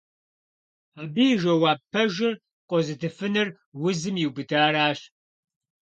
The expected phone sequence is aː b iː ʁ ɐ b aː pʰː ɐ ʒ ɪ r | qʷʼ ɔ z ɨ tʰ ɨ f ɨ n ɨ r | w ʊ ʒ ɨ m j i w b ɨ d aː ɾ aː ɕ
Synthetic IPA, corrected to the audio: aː b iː ʒ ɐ w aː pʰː ɐ ʒ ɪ r | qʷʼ ɔ z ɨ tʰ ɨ f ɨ n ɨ r | w ʊ z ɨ m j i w b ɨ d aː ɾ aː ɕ